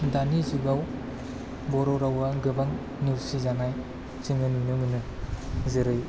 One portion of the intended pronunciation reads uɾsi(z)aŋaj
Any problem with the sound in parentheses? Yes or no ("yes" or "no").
no